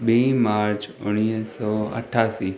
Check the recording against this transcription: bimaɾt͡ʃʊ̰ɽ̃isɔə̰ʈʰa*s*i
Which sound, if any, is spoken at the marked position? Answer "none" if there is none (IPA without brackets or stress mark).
s